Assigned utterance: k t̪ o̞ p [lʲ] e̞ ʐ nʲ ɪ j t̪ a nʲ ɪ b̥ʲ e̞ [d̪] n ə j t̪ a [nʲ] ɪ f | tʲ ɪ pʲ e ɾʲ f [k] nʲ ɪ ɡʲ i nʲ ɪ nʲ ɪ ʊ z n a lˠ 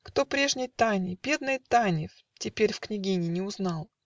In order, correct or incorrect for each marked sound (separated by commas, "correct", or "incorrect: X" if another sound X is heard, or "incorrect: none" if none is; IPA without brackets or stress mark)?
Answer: incorrect: ɾʲ, correct, correct, correct